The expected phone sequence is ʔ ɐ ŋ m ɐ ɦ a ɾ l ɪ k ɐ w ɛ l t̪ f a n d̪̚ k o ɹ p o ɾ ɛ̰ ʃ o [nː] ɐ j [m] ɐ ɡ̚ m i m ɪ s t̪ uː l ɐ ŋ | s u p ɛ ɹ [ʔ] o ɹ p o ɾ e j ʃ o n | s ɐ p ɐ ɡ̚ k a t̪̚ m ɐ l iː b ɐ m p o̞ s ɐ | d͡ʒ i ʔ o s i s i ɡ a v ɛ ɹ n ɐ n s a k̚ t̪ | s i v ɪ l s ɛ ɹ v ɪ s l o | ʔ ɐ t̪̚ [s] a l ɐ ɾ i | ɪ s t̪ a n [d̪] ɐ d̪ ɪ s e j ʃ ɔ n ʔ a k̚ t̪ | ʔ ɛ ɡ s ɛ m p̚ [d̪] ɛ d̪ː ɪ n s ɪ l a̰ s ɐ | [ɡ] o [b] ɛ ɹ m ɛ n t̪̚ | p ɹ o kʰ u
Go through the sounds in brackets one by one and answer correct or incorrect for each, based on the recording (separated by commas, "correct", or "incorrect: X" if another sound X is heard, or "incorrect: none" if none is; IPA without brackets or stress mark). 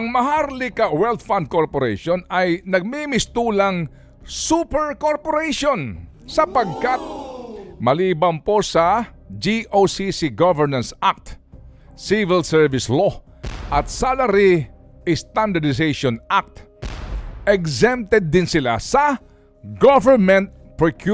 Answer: incorrect: n, incorrect: n, incorrect: k, correct, correct, incorrect: t̪, correct, incorrect: v